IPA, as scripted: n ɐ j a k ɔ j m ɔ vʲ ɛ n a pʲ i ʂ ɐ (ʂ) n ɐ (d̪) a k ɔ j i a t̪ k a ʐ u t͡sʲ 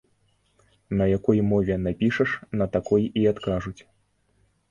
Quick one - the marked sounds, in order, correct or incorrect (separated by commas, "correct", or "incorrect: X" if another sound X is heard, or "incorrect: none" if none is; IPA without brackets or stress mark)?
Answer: correct, incorrect: t̪